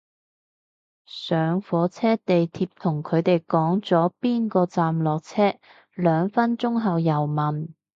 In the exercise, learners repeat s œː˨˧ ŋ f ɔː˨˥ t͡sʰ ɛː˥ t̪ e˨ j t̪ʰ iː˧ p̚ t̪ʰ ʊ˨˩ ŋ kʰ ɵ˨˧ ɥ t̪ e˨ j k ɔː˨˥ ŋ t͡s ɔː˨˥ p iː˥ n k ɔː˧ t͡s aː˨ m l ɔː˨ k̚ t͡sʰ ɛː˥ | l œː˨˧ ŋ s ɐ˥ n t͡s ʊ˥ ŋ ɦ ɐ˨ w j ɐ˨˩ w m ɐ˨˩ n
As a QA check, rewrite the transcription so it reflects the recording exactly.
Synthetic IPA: s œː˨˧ ŋ f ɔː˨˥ t͡sʰ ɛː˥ t̪ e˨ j t̪ʰ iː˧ p̚ t̪ʰ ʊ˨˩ ŋ kʰ ɵ˨˧ ɥ t̪ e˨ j k ɔː˨˥ ŋ t͡s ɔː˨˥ p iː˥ n k ɔː˧ t͡s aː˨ m l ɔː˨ k̚ t͡sʰ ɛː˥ | l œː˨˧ ŋ f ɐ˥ n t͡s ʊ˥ ŋ ɦ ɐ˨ w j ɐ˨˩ w m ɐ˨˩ n